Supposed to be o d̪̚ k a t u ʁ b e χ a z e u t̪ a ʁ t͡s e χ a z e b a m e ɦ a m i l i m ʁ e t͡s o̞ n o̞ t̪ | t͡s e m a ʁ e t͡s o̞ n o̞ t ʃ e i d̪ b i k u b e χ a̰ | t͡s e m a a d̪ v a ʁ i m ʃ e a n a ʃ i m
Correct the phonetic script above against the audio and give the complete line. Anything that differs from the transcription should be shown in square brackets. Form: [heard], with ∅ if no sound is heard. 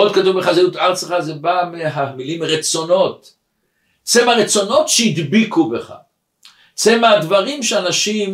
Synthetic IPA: o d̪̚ k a t u [v] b e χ a z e u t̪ a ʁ t͡s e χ a z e b a m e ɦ a m i l i m ʁ e t͡s o̞ n o̞ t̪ | t͡s e m a ʁ e t͡s o̞ n o̞ t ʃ e i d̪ b i k u b e χ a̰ | t͡s e m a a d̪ v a ʁ i m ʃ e a n a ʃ i m